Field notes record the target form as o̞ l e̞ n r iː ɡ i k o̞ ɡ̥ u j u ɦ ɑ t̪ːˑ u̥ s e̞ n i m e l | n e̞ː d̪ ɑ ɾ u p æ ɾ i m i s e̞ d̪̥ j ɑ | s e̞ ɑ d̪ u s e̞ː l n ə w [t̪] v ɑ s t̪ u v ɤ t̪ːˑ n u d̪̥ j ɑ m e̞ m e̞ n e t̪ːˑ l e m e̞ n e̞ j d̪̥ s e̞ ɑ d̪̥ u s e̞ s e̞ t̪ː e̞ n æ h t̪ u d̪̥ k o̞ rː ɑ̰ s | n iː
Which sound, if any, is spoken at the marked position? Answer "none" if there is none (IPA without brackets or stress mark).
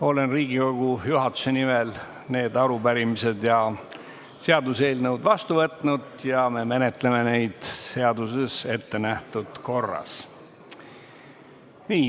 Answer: d̪